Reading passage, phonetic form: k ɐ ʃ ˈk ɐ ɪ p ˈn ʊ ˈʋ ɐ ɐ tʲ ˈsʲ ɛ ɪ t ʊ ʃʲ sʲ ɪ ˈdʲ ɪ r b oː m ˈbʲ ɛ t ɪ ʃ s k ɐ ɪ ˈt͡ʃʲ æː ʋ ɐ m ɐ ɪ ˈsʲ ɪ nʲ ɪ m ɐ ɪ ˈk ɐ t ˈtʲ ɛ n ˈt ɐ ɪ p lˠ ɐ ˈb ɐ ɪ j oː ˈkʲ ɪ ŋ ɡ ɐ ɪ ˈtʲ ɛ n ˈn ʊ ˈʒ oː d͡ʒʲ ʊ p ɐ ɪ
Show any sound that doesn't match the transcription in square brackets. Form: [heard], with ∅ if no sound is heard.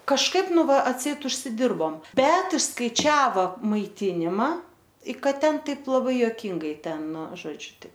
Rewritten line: k ɐ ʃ ˈk ɐ ɪ p ˈn ʊ ˈʋ ɐ ɐ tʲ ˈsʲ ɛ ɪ t ʊ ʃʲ sʲ ɪ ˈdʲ ɪ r b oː m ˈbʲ ɛ t ɪ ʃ s k ɐ ɪ ˈt͡ʃʲ æː ʋ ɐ m ɐ ɪ [ˈtʲ] ɪ nʲ ɪ m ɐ ɪ ˈk ɐ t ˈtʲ ɛ n ˈt ɐ ɪ p lˠ ɐ ˈb ɐ ɪ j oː ˈkʲ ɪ ŋ ɡ ɐ ɪ ˈtʲ ɛ n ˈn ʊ ˈʒ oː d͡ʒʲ ʊ [t] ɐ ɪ